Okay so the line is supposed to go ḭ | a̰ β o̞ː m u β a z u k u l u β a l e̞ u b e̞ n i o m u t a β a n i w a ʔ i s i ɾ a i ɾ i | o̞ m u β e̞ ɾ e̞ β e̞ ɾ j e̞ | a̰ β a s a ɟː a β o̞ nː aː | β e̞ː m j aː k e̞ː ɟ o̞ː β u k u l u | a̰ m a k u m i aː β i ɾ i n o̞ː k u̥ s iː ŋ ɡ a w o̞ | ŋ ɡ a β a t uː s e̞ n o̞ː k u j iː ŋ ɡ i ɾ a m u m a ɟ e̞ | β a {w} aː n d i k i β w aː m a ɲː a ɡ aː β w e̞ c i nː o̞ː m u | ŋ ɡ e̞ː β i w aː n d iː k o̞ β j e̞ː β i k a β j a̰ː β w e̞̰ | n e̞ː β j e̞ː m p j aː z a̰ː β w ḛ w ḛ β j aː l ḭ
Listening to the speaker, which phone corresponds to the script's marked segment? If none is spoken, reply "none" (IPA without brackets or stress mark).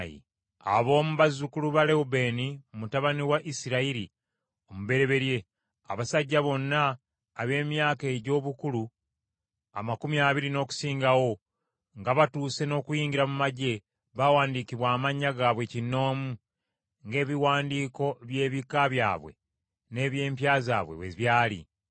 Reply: w